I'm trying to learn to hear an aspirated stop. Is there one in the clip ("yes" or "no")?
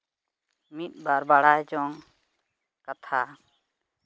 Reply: yes